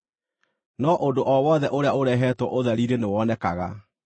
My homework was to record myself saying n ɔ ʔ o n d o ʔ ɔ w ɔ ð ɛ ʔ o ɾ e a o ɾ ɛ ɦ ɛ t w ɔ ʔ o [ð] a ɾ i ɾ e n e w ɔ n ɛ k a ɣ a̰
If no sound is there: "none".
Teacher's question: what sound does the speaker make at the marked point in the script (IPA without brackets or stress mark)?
ð